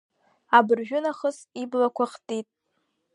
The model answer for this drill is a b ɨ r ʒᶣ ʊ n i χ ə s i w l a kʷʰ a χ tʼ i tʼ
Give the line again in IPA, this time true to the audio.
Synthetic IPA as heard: a b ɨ r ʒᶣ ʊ n a χ ə s i b l a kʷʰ a χ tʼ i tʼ